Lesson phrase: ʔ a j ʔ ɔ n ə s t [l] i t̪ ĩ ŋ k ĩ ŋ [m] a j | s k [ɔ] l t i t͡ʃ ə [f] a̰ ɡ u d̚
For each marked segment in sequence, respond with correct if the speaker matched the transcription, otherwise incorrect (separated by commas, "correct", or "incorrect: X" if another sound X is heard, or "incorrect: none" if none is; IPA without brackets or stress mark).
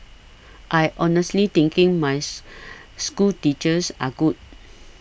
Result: correct, correct, incorrect: u, incorrect: s